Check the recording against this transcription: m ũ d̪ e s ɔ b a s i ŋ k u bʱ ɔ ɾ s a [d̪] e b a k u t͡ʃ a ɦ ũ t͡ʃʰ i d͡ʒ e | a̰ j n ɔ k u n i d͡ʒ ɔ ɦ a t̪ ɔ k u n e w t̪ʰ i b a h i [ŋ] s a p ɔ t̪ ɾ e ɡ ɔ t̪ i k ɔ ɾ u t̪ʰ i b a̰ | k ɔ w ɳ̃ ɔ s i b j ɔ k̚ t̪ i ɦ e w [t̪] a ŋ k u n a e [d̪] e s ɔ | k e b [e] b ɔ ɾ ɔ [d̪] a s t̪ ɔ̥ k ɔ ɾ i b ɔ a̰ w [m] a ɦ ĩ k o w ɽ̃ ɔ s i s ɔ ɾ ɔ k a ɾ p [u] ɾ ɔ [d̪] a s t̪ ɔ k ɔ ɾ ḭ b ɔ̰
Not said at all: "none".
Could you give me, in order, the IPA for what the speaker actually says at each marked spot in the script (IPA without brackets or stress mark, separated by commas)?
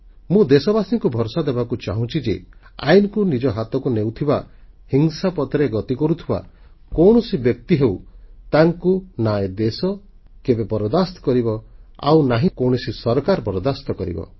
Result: d̪, ŋ, t̪, d̪, e, d̪, n, ɔ, d̪